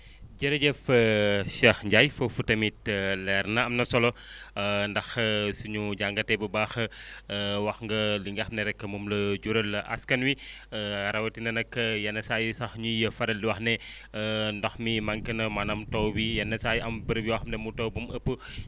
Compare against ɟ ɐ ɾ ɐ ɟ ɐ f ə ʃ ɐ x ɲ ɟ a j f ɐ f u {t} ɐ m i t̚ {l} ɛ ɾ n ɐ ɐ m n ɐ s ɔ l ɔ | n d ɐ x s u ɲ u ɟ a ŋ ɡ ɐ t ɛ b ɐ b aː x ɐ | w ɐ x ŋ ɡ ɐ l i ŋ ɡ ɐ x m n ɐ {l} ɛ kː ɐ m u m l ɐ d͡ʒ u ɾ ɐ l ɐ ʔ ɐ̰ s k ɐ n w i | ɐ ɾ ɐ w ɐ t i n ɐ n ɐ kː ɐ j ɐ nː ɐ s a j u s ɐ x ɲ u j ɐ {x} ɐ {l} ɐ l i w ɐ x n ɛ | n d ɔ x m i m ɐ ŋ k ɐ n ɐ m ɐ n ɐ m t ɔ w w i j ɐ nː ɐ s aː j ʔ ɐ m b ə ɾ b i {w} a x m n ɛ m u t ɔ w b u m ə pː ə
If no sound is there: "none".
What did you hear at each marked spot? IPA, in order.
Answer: t, l, ɾ, f, ɾ, w

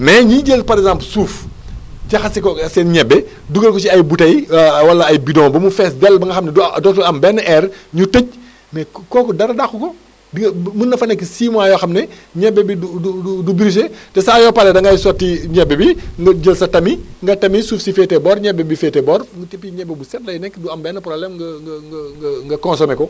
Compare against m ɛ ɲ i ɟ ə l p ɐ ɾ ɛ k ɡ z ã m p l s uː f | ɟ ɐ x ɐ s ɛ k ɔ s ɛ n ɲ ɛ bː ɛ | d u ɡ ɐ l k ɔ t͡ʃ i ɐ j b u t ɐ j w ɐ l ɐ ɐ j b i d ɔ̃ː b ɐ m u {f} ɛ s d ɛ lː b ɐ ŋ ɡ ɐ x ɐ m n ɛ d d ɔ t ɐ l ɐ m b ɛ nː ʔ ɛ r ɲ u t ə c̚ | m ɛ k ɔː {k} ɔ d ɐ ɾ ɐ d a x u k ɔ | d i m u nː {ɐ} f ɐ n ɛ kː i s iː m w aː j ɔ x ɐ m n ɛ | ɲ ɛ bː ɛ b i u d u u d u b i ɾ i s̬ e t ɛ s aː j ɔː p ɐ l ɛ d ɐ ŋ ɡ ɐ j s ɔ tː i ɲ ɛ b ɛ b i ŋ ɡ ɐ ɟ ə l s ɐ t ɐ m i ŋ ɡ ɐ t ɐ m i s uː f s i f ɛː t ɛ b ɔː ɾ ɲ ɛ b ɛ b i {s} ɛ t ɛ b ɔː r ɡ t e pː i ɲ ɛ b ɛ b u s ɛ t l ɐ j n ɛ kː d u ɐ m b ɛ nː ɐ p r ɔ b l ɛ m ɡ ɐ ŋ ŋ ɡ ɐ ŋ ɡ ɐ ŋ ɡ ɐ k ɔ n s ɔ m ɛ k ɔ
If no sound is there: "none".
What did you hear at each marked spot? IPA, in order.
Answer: f, k, ɐ, f

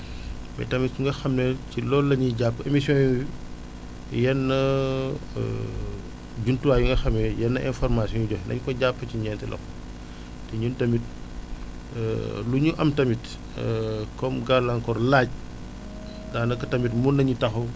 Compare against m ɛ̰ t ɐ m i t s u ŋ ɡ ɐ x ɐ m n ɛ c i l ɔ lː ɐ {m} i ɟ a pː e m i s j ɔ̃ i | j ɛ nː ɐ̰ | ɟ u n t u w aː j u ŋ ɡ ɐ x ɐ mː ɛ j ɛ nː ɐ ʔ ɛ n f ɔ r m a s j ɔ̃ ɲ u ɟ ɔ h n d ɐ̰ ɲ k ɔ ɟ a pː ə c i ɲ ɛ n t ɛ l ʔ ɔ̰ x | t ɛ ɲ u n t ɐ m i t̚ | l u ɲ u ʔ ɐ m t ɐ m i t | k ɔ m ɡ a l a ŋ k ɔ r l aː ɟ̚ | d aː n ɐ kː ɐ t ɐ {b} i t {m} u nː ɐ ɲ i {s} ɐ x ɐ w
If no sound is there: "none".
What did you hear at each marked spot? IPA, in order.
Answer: ɲ, m, m, t

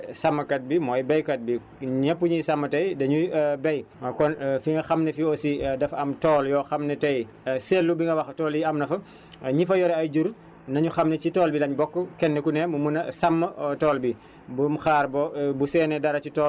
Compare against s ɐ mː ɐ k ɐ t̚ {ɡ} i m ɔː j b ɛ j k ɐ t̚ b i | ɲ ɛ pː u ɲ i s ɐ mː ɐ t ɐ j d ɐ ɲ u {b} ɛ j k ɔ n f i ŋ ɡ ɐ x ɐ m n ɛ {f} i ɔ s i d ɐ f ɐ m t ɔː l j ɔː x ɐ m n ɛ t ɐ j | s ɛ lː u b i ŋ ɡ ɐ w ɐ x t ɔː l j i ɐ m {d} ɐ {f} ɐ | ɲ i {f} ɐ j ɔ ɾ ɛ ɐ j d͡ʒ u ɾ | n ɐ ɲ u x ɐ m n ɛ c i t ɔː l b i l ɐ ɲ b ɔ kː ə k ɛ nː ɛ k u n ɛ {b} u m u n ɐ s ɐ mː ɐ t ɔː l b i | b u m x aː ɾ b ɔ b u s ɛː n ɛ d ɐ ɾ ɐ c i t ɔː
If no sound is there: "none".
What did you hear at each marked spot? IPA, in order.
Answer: b, b, f, n, f, f, m

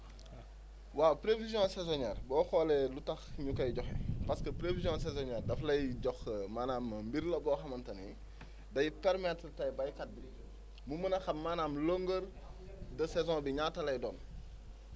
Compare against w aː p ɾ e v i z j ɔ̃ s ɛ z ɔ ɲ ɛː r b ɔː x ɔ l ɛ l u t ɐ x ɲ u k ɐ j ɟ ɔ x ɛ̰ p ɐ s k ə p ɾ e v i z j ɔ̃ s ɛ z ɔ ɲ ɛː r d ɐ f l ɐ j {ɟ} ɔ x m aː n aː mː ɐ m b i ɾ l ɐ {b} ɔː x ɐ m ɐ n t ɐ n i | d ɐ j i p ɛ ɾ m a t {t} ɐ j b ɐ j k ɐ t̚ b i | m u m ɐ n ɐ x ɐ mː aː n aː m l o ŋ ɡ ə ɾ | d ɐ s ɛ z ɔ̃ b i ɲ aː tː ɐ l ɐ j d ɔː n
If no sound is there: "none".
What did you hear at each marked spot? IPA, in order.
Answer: ɟ, b, t

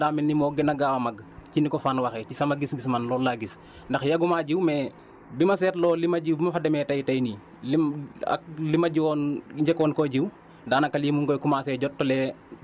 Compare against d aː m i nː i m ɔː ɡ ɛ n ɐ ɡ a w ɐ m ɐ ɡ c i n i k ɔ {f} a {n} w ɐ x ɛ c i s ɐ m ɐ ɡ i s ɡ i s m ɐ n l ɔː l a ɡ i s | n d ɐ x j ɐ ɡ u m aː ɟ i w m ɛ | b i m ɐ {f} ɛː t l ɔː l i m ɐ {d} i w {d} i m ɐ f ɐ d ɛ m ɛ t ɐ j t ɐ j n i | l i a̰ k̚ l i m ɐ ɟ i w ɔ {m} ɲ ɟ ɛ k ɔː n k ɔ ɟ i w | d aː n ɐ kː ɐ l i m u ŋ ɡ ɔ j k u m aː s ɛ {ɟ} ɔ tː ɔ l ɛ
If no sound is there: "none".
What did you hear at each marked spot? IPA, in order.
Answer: f, n, s, ɟ, b, n, ɟ

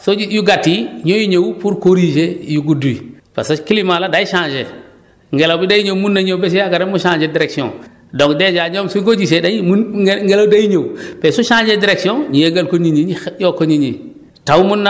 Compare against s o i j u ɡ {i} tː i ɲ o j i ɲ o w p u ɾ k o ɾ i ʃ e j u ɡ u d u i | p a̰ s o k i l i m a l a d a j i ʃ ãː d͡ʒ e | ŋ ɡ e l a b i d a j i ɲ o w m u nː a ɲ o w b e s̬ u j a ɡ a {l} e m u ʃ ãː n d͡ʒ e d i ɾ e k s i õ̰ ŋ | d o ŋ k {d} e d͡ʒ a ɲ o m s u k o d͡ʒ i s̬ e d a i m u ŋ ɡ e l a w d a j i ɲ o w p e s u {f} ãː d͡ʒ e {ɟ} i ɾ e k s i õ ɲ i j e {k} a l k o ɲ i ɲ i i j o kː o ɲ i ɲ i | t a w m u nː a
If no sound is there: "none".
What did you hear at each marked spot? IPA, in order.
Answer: a, ɾ, d, ʃ, d, ɡ

